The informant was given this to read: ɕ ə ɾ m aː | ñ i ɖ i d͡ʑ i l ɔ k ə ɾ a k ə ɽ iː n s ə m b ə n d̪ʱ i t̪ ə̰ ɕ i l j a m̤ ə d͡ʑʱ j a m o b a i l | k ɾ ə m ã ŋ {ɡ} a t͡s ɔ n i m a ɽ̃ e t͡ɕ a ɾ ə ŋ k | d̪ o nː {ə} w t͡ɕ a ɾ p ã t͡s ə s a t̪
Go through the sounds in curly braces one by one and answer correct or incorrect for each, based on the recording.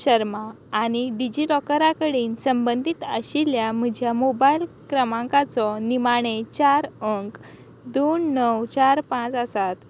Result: incorrect: k, correct

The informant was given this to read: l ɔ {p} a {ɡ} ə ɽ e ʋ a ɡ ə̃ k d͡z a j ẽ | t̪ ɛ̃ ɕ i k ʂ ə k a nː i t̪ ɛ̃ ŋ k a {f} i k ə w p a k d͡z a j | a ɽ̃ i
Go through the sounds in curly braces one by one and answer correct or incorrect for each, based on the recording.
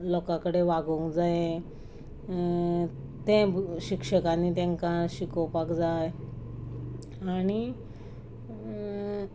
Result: incorrect: k, incorrect: k, incorrect: ɕ

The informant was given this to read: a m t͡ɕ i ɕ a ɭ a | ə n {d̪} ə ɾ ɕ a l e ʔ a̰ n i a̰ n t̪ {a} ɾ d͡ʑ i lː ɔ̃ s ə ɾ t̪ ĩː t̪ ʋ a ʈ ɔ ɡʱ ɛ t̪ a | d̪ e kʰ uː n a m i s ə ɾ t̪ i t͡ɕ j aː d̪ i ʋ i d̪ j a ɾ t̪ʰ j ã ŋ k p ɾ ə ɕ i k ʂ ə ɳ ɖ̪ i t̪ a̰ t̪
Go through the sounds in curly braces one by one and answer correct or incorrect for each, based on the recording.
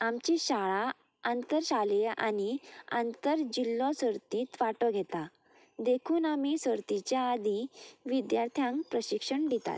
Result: incorrect: t̪, incorrect: ə

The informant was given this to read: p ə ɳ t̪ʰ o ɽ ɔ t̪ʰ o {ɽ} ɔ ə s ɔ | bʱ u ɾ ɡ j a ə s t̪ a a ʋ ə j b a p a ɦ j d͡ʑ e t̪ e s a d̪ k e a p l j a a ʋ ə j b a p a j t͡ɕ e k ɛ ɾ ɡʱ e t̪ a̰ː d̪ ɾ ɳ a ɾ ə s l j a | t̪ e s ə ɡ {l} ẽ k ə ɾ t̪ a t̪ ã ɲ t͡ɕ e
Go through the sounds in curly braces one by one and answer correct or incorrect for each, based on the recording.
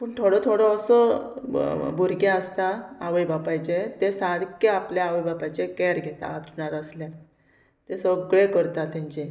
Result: correct, incorrect: ɭ

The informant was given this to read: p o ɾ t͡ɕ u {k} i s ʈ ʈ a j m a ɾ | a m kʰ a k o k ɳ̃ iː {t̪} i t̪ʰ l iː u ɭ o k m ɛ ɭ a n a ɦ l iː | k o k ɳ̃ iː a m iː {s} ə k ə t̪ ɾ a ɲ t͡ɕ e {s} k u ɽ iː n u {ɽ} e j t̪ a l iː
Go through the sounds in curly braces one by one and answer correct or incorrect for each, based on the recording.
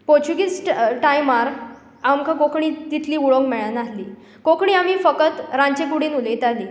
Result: incorrect: ɡ, correct, incorrect: f, incorrect: none, incorrect: l

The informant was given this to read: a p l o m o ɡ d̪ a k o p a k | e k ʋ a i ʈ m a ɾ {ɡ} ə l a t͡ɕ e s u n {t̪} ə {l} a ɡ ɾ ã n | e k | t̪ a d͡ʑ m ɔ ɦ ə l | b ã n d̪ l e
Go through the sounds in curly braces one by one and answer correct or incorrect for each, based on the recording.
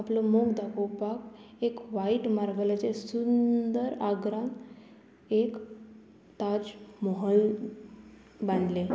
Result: correct, incorrect: d̪, incorrect: ɾ

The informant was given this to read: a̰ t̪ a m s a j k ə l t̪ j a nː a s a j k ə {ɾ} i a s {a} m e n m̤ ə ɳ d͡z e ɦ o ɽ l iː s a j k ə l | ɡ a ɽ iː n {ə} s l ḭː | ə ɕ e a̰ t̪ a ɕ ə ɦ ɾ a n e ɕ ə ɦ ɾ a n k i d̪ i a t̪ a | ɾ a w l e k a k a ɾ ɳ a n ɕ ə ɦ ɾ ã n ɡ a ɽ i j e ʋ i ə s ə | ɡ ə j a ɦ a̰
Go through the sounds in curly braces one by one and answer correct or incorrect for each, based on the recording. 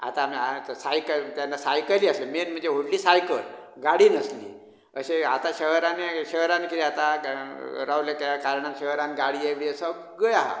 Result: incorrect: l, incorrect: e, correct

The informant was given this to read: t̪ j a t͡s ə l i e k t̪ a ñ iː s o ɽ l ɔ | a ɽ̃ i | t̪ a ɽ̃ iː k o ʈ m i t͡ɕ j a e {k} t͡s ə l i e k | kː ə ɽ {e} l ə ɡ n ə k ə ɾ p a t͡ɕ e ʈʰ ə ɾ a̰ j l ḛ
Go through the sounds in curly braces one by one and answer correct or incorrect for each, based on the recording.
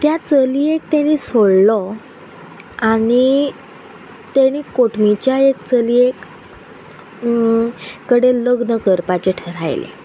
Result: correct, correct

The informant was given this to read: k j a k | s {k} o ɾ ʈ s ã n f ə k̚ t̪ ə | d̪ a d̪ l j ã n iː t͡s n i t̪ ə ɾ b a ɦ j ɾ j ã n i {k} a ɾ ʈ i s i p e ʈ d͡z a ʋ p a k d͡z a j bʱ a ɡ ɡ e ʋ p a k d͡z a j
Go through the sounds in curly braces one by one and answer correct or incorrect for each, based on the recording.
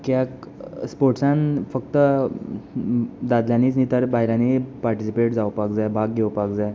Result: incorrect: p, incorrect: p

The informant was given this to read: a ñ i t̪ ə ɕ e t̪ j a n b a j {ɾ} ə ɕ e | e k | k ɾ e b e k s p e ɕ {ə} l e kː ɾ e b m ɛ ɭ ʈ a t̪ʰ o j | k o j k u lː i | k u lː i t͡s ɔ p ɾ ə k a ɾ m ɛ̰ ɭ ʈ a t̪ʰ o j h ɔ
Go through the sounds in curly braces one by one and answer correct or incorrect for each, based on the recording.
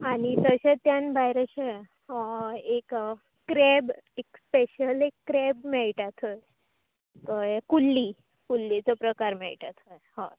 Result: correct, correct

